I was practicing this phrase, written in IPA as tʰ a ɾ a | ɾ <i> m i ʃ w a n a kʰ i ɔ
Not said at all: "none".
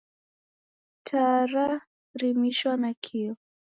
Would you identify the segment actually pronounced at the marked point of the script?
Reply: i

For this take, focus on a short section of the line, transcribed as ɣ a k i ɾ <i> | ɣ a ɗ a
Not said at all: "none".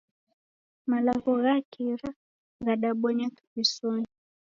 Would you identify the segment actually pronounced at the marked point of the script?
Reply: a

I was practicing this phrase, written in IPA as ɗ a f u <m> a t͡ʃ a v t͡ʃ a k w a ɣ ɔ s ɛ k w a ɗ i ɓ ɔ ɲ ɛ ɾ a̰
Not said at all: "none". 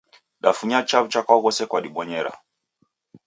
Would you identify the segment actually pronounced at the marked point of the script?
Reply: ɲ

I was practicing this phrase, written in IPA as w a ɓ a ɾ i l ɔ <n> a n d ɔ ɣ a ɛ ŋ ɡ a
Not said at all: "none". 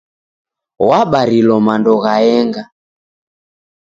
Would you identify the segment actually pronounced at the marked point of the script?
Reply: m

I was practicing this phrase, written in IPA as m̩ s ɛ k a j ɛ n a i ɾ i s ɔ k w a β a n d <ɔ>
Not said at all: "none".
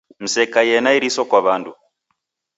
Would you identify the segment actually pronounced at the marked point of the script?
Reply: u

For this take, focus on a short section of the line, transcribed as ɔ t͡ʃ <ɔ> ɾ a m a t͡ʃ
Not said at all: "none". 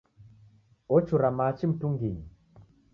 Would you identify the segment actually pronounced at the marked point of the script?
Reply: u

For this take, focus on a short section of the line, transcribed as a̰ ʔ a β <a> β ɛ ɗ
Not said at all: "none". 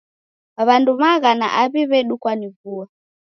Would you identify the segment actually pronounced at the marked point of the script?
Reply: i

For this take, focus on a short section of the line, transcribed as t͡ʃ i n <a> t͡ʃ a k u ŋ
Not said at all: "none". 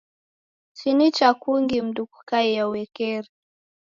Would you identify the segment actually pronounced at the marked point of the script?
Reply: i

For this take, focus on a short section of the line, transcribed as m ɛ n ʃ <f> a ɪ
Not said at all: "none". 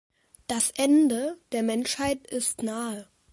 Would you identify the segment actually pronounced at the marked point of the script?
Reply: h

